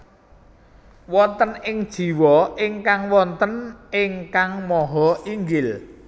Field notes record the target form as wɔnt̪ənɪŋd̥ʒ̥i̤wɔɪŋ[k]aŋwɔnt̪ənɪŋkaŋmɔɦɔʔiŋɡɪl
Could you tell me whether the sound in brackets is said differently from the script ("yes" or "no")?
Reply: no